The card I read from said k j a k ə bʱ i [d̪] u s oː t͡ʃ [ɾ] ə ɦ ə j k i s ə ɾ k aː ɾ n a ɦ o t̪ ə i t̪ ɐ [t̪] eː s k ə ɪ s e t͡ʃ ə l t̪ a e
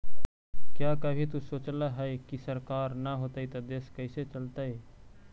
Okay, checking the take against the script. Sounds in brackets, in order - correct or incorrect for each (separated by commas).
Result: incorrect, incorrect, incorrect